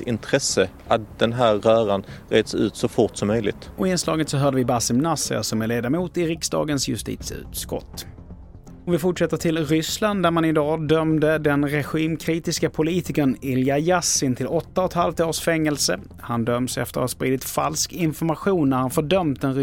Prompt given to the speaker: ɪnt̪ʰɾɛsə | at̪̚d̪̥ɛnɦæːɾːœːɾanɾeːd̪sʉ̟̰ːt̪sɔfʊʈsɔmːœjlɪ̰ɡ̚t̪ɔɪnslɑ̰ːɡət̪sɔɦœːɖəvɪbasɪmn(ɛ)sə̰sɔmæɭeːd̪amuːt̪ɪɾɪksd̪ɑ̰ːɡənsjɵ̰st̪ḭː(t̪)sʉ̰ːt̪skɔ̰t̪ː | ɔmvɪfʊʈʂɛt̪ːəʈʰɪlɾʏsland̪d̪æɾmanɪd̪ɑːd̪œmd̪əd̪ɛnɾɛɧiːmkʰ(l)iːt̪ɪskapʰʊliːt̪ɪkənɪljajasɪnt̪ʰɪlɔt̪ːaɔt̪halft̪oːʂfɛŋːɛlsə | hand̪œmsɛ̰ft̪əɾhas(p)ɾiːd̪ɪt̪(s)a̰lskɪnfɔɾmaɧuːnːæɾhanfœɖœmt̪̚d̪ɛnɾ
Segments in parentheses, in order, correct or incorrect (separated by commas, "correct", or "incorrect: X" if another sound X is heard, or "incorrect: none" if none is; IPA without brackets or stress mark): incorrect: a, correct, incorrect: ɾ, correct, incorrect: f